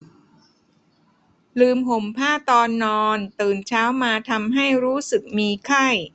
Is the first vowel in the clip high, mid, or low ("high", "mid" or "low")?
high